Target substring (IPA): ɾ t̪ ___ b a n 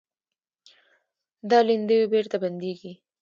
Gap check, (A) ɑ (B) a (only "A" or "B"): B